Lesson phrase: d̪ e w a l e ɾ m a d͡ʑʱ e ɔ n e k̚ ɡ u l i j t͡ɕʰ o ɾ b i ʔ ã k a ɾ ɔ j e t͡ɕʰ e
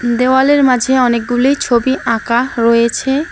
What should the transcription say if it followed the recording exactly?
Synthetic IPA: d̪ e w a l e ɾ m a d͡ʑʱ e ɔ n e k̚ ɡ u l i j t͡ɕʰ o b i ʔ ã k a ɾ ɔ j e t͡ɕʰ e